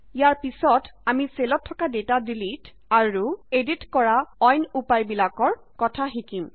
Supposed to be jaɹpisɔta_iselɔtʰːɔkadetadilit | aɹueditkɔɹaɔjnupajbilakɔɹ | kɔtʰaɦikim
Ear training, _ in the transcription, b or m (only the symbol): m